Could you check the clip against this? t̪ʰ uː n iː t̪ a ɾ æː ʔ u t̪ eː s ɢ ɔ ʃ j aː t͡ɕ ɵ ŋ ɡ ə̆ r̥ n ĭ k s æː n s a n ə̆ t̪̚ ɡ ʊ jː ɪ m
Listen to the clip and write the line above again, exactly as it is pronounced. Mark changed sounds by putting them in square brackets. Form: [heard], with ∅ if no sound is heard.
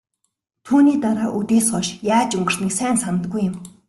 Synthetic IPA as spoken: t̪ʰ uː n iː t̪ a ɾ [aː] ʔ u t̪ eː s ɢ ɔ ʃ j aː t͡ɕ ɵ ŋ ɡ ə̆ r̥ n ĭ k s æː n s a n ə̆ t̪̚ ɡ [u] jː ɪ m